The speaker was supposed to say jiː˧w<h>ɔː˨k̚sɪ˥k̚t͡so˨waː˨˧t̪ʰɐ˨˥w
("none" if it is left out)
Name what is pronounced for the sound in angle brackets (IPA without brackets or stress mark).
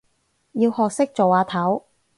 h